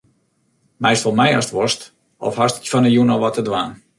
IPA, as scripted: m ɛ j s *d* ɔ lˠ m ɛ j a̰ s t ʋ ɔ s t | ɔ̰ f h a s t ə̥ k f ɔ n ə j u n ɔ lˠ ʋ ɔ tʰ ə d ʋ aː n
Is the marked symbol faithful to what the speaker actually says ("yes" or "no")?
no